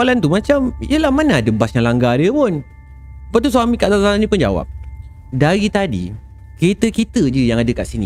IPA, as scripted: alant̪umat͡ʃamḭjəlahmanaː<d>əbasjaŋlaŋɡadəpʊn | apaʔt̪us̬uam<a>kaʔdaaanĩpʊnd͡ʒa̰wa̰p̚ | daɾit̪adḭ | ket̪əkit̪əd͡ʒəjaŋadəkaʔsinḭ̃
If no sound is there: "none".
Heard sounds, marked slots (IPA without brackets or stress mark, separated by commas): d, i